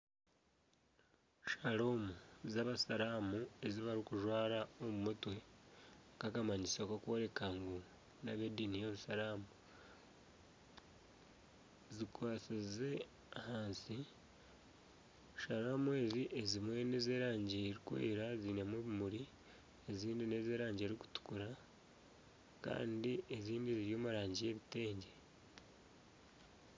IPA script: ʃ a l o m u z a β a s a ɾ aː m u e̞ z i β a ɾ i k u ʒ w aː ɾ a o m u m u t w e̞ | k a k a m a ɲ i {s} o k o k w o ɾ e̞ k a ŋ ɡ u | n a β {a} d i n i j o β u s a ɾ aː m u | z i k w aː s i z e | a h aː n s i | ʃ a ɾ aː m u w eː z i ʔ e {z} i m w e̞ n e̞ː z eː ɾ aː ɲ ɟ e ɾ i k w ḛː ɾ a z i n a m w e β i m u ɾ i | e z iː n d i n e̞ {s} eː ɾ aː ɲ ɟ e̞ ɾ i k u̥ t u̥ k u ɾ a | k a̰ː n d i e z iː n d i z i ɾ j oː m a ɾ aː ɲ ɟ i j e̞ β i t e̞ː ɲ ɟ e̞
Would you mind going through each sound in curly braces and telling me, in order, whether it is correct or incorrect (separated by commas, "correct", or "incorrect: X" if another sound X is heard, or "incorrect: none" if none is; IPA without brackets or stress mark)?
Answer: correct, incorrect: e, correct, incorrect: z